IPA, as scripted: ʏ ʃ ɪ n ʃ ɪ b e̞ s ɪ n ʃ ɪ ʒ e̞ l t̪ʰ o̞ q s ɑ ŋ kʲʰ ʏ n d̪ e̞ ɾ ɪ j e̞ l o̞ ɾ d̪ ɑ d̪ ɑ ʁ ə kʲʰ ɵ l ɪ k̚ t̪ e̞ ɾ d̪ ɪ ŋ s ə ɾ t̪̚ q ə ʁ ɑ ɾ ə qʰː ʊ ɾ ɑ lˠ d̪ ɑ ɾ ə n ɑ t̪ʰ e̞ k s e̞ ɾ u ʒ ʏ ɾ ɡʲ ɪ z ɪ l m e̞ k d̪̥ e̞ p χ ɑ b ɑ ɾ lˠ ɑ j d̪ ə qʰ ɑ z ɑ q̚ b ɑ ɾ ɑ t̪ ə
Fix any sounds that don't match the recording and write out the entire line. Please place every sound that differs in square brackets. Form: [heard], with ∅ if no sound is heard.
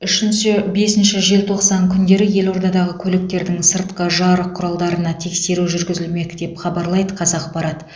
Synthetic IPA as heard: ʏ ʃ ɪ n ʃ ɪ b e̞ s ɪ n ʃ ɪ ʒ e̞ l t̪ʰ o̞ q s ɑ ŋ kʲʰ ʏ n d̪ e̞ ɾ ɪ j e̞ l o̞ ɾ d̪ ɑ d̪ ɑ ʁ ə kʲʰ ɵ l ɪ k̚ t̪ e̞ ɾ d̪ ɪ ŋ s ə ɾ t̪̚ q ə [ʒ] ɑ ɾ ə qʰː ʊ ɾ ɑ lˠ d̪ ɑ ɾ ə n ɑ t̪ʰ e̞ k s e̞ ɾ u ʒ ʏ ɾ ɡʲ ɪ z ɪ l m e̞ k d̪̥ e̞ p χ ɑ b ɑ ɾ lˠ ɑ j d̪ ə qʰ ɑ z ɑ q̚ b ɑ ɾ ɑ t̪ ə